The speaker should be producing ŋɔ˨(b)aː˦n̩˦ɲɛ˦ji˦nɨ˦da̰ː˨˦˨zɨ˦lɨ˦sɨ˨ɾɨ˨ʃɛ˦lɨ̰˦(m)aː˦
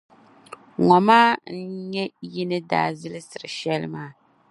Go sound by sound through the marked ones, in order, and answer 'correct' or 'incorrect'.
incorrect: m, correct

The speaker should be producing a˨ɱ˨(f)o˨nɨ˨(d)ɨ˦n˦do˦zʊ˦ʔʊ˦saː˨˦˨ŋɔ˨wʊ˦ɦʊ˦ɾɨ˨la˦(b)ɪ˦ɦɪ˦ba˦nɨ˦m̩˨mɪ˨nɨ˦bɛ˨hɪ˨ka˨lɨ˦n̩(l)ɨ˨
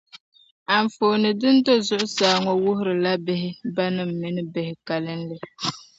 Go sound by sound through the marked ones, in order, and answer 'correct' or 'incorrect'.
correct, correct, correct, correct

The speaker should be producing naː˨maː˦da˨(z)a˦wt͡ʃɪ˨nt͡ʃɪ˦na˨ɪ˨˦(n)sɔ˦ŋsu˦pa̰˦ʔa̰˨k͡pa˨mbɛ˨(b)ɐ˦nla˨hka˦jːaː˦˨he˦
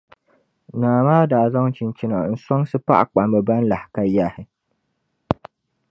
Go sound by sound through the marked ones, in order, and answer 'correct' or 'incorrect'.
correct, correct, correct

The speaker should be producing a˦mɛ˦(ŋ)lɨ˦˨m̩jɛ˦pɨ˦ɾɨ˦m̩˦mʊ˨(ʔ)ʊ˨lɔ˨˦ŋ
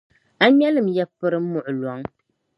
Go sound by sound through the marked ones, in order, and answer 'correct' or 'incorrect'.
incorrect: none, correct

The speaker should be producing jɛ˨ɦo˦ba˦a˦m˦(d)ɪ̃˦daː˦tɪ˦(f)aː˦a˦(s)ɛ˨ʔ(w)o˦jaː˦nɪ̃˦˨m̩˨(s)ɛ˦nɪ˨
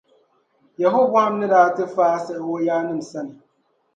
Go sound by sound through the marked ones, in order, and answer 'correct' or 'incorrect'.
incorrect: n, correct, correct, correct, correct

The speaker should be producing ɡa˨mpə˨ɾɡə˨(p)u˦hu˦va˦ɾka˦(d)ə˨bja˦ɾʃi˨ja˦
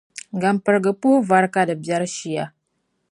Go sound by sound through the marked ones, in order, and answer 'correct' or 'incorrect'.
correct, correct

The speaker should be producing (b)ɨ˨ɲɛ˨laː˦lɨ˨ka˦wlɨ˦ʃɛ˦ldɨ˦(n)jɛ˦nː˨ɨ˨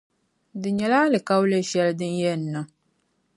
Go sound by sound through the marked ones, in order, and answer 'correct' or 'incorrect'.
incorrect: d, correct

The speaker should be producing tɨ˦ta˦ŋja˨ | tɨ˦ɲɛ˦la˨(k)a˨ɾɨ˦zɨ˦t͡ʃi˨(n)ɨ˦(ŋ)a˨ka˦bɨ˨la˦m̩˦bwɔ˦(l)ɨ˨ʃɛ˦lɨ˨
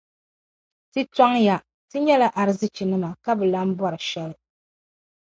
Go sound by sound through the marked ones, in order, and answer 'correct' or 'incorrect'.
incorrect: ʔ, correct, incorrect: m, incorrect: ɾ

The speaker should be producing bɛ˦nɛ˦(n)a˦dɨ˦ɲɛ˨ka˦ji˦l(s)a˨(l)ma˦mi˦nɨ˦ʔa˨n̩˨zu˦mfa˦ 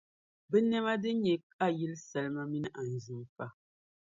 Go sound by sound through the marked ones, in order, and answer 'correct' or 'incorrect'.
incorrect: m, correct, correct

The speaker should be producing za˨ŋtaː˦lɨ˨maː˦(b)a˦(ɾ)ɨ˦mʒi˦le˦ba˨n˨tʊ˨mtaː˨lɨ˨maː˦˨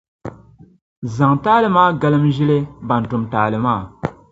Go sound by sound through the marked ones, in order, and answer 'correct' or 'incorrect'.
incorrect: ɡ, incorrect: l

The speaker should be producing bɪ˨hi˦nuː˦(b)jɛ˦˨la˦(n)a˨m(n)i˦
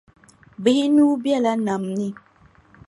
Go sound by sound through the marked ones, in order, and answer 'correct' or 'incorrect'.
correct, correct, correct

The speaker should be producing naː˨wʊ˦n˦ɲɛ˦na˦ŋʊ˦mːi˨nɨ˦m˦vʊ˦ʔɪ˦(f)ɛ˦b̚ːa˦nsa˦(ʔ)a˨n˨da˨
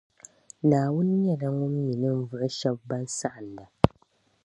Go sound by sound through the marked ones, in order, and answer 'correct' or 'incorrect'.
incorrect: ʃ, correct

